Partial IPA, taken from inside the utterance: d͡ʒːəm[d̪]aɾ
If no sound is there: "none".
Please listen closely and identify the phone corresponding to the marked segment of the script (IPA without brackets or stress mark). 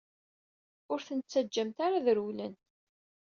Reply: t̪